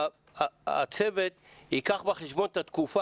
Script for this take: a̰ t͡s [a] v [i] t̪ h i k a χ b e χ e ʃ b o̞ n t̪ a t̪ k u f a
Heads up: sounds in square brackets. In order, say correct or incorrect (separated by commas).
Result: incorrect, incorrect